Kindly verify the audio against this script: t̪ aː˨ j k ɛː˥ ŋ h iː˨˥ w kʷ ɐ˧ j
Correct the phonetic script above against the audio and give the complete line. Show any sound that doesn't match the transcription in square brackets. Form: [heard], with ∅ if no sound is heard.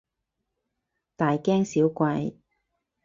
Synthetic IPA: t̪ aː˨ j k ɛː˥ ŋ [s] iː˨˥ w kʷ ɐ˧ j